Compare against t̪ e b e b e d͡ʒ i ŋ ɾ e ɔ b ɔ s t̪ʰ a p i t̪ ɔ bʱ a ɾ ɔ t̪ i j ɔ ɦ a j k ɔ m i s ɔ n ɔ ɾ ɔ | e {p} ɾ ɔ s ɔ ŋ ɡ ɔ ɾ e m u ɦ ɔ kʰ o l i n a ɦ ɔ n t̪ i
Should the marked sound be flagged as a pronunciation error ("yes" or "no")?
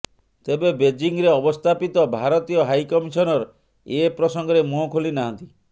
no